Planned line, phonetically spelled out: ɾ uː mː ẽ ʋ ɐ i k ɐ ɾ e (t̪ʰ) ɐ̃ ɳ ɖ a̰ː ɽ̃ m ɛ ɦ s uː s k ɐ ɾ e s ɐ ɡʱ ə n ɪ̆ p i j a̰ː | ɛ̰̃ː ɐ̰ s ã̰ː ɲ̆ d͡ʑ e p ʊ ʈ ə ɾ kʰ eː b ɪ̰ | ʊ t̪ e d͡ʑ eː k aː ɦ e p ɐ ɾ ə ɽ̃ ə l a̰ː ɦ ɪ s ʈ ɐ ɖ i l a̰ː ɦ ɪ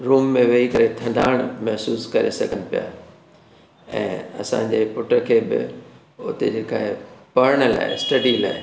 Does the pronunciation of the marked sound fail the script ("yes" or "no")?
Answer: no